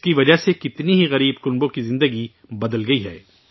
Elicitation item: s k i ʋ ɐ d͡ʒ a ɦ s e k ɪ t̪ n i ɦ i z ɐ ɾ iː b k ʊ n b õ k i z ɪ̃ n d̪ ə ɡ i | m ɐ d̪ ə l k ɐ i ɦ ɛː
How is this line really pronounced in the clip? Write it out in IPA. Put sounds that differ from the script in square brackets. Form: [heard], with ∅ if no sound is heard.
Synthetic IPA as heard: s k i ʋ ɐ d͡ʒ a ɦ s e k ɪ t̪ n i ɦ i [ɣ] ɐ ɾ iː b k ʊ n b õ k i z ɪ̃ n d̪ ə ɡ i | [b] ɐ d̪ ə l [ɡ] ɐ i ɦ ɛː